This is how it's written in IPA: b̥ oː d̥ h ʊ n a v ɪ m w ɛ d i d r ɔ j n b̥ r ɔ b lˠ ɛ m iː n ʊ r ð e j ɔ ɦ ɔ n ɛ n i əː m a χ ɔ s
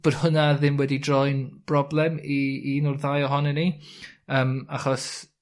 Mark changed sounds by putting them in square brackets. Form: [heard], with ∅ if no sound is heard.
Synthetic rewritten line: b̥ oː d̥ h ʊ n a [ð] ɪ m w ɛ d i d r ɔ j n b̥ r ɔ b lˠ ɛ m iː n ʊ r ð [a] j ɔ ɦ ɔ n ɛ n i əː m a χ ɔ s

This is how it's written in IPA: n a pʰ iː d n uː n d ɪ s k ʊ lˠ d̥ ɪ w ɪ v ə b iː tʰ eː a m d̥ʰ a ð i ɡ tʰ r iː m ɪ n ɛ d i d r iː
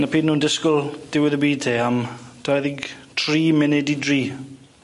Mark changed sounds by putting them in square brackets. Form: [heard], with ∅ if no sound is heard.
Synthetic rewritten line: n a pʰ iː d n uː n d ɪ s k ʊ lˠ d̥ ɪ w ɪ [ð] ə b iː tʰ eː a m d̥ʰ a ð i ɡ tʰ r iː m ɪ n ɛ d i d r iː

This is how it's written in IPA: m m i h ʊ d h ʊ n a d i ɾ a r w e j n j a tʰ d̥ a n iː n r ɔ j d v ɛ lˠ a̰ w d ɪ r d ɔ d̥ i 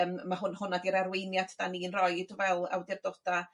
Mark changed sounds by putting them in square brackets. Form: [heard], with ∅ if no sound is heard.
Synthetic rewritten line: m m [a] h ʊ [n] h ʊ n a d i ɾ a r w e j n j a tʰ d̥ a n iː n r ɔ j d v ɛ lˠ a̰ w d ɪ r d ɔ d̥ [a]

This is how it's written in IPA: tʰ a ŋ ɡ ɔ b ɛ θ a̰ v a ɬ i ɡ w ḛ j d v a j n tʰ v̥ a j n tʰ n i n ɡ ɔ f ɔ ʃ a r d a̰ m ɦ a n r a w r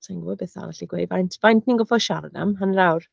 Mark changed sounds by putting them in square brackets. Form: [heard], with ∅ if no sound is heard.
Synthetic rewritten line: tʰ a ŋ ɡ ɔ b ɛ θ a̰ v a ɬ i ɡ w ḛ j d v a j n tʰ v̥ a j n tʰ n i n ɡ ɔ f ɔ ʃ a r d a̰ m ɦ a n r a w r

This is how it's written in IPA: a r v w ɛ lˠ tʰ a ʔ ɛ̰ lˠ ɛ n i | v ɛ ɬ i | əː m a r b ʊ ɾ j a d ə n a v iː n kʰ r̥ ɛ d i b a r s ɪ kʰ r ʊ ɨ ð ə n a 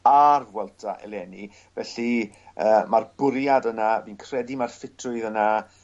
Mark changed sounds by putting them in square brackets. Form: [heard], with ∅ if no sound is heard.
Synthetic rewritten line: a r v w ɛ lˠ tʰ a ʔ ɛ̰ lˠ ɛ n i | v ɛ ɬ i | əː m a r b ʊ ɾ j a d ə n a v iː n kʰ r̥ ɛ d i [m] a r [f] ɪ [tʰ] r ʊ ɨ ð ə n a

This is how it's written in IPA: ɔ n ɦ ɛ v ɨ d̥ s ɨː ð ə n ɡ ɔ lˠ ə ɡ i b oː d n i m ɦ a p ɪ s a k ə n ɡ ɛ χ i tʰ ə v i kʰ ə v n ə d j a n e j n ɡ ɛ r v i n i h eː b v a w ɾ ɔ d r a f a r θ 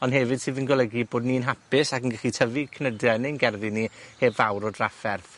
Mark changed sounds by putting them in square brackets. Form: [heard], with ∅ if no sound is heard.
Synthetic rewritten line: ɔ n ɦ ɛ v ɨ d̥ s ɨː ð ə n ɡ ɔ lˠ ə ɡ i b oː d n i [n] ɦ a p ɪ s a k ə n ɡ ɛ χ i tʰ ə v i kʰ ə [∅] n ə d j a n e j n ɡ ɛ r [ð] i n i h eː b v a w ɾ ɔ d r a f [ɛ] r θ

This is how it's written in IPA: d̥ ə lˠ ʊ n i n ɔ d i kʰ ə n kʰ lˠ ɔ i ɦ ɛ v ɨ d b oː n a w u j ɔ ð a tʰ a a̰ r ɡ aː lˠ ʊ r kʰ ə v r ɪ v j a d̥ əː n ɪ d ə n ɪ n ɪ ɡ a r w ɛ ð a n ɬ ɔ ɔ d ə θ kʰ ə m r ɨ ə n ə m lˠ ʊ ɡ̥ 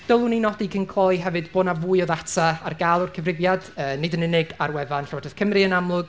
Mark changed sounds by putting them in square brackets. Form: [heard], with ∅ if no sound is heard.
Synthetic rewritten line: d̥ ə lˠ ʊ n i n ɔ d i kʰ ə n kʰ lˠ ɔ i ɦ ɛ v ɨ d b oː n a [v] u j ɔ ð a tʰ a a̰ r ɡ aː lˠ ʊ r kʰ ə v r ɪ v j a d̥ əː n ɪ d ə n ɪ n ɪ ɡ a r w ɛ [v] a n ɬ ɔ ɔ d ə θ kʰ ə m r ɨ ə n [a] m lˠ ʊ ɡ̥

